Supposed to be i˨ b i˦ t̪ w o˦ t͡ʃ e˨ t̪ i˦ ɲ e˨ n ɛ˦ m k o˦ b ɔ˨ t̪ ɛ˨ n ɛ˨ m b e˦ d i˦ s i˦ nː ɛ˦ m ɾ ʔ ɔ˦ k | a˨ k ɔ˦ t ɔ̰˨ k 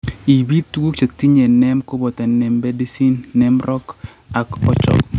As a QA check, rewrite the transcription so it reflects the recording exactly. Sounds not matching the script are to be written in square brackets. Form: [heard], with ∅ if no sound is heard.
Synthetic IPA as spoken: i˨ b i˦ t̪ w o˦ t͡ʃ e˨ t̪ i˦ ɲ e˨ n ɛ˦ m k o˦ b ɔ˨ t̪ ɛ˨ n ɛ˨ m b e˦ d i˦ s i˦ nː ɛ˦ m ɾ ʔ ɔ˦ k | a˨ k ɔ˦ [t͡ʃ] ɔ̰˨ k

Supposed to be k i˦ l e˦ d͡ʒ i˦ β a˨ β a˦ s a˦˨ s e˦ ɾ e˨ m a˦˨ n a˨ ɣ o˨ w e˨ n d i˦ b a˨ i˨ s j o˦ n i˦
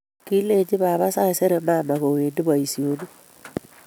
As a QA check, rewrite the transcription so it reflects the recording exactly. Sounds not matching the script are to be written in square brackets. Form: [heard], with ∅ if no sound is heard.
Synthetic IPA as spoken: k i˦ l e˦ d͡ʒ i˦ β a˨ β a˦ s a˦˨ s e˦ ɾ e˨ m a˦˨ [m] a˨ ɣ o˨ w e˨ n d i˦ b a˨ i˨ s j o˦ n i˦

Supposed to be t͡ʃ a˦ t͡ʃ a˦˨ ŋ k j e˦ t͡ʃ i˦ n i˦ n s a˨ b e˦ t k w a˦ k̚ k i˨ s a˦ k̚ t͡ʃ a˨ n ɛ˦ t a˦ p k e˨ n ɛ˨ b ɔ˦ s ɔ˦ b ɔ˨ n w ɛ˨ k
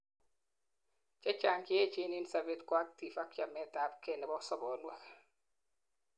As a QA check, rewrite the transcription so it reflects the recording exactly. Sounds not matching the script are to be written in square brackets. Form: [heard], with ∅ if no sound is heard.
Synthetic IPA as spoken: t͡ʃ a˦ t͡ʃ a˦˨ ŋ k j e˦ t͡ʃ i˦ n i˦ n s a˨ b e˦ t k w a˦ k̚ [t] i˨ [f] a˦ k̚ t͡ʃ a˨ [m] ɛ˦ t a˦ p k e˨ n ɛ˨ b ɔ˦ s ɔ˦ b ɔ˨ n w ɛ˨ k

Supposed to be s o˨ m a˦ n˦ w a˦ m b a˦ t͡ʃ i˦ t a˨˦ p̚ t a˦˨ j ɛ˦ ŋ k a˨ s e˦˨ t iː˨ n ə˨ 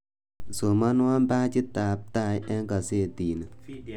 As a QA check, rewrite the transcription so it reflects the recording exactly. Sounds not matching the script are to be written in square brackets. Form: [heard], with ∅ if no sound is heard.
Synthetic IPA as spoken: s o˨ m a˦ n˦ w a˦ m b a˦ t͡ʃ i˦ t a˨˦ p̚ t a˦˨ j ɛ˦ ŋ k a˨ s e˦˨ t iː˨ n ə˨

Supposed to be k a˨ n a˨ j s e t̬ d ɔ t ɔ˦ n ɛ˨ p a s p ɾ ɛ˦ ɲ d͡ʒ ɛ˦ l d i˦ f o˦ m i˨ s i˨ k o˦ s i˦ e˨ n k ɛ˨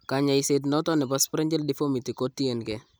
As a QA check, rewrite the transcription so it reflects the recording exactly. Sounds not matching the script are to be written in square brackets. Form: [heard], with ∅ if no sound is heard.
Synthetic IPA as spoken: k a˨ [ɲ] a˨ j s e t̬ [n] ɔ t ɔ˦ n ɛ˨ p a s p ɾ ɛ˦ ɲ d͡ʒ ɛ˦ l d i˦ f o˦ m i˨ [t] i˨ k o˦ [t] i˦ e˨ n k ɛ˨

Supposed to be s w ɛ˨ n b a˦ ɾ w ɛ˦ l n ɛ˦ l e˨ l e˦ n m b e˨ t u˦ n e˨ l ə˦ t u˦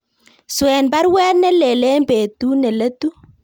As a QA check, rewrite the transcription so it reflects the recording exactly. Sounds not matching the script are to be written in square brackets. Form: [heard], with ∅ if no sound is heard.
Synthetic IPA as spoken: s w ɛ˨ n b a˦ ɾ w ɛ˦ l n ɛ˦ l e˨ l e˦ [∅] m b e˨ t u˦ n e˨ l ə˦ t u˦

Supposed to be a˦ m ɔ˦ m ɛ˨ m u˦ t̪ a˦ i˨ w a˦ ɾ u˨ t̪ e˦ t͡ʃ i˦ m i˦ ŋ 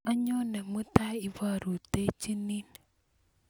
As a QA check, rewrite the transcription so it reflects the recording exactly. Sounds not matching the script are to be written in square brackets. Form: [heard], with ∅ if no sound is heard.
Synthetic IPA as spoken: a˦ [ɲ] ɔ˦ [n] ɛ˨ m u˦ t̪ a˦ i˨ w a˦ ɾ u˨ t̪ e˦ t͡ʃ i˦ [n] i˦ [n]

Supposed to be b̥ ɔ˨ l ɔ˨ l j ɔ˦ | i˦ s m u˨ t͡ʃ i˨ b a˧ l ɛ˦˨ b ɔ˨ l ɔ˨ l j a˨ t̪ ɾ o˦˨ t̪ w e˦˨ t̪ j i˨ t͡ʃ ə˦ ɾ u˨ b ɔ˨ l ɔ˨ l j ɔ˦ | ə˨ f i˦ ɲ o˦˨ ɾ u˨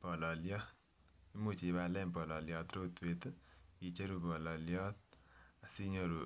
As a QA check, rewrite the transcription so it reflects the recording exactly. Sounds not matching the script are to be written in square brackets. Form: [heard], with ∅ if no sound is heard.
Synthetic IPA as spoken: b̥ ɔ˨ l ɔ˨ l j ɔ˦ | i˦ [∅] m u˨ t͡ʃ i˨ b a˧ l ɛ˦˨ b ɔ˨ l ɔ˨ l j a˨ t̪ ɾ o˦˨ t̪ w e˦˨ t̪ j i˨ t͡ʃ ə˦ ɾ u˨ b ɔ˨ l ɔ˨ l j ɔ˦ | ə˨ [s] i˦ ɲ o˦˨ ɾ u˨

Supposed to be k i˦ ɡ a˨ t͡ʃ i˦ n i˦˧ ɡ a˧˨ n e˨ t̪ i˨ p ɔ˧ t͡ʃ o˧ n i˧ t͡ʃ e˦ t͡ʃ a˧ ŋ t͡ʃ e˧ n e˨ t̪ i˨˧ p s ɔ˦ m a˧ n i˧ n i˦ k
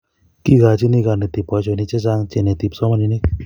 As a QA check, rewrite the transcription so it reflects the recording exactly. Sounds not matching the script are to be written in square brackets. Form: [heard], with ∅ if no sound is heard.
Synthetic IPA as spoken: k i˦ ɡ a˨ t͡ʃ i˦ n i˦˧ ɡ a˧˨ n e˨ t̪ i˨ p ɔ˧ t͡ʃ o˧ n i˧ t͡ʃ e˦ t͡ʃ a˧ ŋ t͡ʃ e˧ n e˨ t̪ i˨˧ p s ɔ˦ m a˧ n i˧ n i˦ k

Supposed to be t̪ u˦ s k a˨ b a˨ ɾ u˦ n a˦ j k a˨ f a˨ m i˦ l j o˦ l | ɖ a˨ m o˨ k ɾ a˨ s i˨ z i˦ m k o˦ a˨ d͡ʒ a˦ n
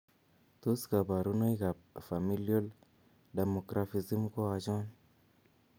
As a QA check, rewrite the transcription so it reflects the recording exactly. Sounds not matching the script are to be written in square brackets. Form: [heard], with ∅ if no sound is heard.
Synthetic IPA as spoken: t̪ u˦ s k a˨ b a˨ ɾ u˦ n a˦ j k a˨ f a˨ m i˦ l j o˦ l | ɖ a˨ m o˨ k ɾ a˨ [f] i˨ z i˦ m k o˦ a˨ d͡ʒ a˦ n

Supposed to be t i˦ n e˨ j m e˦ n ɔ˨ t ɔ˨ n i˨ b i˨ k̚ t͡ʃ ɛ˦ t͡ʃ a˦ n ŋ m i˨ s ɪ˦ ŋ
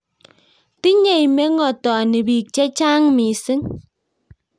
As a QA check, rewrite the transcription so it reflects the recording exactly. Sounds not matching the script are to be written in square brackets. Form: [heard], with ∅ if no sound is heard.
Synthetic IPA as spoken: t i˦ [ɲ] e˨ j m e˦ [ŋ] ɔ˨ t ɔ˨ n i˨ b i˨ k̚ t͡ʃ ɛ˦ t͡ʃ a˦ [∅] ŋ m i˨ s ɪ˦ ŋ

